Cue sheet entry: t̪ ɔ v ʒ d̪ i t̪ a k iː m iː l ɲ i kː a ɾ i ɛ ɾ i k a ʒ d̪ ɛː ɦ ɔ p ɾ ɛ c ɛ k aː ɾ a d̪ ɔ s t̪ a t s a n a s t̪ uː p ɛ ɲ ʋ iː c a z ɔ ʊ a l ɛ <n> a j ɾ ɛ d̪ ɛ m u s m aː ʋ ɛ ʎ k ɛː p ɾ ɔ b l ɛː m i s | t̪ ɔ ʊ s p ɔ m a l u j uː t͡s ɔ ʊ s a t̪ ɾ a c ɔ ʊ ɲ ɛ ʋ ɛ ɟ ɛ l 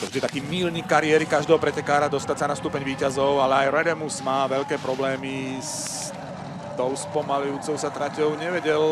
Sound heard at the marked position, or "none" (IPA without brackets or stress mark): none